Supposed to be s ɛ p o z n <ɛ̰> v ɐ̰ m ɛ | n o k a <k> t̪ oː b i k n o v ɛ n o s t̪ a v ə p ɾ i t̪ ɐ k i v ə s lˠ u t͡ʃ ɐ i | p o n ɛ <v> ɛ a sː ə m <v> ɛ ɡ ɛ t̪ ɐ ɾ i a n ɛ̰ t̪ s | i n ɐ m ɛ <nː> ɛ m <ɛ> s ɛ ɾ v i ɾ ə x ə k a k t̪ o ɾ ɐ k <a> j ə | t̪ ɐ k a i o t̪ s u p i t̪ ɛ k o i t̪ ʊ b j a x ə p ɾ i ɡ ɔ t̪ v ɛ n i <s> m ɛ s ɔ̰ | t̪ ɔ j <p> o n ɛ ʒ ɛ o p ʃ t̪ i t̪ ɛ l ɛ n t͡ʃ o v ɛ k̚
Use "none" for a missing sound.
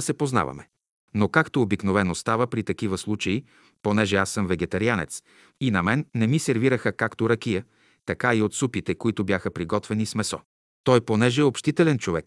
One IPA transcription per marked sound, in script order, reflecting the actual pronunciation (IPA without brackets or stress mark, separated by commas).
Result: a̰, k, ʒ, v, nː, i, i, s, p